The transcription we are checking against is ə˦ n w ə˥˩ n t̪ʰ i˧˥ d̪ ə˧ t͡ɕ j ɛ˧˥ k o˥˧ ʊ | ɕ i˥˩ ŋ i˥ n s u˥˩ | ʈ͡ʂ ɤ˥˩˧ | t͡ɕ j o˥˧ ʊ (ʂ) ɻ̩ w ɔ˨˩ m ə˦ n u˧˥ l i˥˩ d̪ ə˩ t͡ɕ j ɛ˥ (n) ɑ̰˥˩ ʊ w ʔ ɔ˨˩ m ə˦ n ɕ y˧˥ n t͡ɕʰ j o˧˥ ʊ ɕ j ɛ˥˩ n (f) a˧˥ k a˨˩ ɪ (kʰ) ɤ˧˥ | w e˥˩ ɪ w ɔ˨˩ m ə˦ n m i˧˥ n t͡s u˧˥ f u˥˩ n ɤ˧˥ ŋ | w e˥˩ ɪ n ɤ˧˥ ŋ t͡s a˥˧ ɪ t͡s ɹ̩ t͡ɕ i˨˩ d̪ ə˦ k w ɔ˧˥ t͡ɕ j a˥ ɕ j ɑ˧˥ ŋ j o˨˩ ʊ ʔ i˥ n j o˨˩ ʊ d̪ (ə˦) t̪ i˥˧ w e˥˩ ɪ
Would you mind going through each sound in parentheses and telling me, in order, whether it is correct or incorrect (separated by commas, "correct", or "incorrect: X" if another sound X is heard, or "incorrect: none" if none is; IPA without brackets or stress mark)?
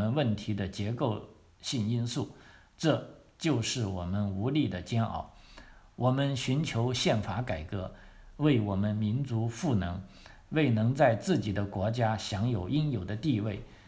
correct, correct, correct, incorrect: k, correct